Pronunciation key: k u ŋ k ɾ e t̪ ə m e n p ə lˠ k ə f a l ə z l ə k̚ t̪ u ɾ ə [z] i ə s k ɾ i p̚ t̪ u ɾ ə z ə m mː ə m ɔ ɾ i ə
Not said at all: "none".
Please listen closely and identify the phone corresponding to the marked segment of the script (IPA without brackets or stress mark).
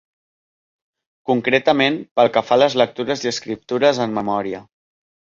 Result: z